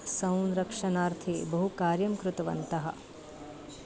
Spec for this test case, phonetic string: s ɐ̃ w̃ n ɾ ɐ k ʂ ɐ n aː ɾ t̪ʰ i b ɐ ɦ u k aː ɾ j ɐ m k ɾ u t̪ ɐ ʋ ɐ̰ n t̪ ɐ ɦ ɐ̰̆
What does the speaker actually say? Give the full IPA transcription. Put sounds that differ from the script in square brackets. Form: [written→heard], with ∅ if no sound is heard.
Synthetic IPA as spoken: s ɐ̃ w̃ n ɾ ɐ k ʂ ɐ n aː ɾ t̪ʰ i b ɐ ɦ u k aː ɾ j ɐ m k ɾ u t̪ ɐ ʋ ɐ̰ n t̪ ɐ ɦ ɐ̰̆